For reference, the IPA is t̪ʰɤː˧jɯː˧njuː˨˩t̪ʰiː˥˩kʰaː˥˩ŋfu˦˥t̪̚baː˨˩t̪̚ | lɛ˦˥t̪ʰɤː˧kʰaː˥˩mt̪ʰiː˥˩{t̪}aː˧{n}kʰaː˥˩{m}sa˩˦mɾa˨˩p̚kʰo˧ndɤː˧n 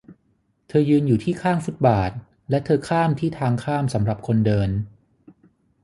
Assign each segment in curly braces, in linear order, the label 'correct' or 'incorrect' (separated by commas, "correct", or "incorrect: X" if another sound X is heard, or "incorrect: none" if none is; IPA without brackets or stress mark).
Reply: incorrect: t̪ʰ, incorrect: ŋ, correct